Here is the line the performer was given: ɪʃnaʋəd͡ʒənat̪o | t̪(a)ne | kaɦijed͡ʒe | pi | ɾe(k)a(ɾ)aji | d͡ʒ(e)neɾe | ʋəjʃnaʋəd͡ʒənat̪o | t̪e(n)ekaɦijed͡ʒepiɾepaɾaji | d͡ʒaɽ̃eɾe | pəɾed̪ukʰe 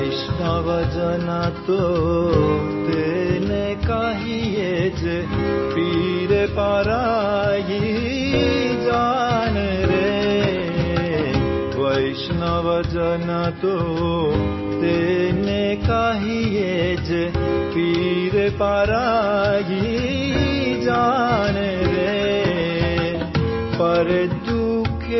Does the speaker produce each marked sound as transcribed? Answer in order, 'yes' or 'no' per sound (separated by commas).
no, no, yes, no, yes